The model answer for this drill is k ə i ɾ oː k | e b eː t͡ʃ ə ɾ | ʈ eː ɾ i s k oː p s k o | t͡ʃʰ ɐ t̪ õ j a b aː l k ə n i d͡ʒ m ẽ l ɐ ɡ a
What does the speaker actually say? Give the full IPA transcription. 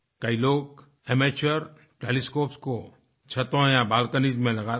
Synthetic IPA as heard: k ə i l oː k | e m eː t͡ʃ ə ɾ | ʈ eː l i s k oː p s k o | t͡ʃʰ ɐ t̪ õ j a b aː l k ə n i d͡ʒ m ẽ l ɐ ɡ a